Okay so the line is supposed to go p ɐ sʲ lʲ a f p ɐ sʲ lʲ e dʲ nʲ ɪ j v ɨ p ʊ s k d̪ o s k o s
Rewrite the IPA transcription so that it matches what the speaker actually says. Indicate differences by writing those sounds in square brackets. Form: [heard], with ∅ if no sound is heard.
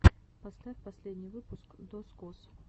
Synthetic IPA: p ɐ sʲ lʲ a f p ɐ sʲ lʲ e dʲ nʲ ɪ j v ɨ p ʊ s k d̪ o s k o s

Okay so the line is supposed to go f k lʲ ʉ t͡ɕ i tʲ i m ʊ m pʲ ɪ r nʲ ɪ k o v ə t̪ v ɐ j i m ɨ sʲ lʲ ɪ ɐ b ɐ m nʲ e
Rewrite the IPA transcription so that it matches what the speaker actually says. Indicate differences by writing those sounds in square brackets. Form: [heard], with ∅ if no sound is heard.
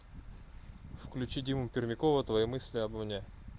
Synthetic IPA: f k lʲ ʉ t͡ɕ i [dʲ] i m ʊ m pʲ ɪ r [mʲ] ɪ k o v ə t̪ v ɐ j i m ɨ sʲ lʲ ɪ ɐ b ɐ m nʲ e

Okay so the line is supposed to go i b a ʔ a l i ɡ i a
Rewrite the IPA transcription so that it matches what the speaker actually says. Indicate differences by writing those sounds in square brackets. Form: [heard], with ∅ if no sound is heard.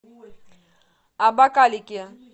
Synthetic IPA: [a] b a [k] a l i [k] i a

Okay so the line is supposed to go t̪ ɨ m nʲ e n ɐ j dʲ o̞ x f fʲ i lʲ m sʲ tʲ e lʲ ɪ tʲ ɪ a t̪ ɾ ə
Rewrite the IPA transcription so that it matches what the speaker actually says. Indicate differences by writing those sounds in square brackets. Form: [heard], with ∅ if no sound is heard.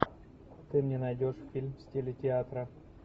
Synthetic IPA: t̪ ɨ m nʲ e n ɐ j dʲ o̞ [ʂ] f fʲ i lʲ m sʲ tʲ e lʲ ɪ tʲ ɪ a t̪ ɾ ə

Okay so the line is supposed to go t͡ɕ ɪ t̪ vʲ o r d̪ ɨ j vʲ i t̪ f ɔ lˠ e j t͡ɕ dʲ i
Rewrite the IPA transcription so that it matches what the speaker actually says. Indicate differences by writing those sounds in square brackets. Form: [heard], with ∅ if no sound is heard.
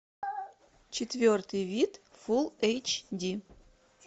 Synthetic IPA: t͡ɕ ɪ t̪ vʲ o r [t̪] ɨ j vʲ i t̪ f [u] lˠ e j t͡ɕ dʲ i

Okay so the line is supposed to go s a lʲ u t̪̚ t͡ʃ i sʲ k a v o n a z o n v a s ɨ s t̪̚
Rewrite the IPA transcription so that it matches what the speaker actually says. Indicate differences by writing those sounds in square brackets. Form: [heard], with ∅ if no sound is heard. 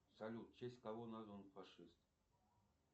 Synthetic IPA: s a lʲ u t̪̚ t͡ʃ [e] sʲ k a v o n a z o n [f] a [ʂ] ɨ s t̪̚

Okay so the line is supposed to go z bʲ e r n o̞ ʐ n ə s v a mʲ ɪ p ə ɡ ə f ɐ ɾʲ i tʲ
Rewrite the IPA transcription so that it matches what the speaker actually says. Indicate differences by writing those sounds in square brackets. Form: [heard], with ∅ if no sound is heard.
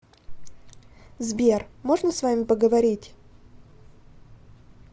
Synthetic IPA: z bʲ e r [m] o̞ ʐ n ə s v a mʲ ɪ p ə ɡ ə [v] ɐ ɾʲ i tʲ

